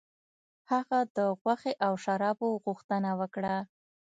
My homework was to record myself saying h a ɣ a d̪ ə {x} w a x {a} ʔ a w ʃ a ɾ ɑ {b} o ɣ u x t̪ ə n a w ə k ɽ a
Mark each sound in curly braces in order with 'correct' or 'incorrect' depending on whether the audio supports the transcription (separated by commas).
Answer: incorrect, incorrect, correct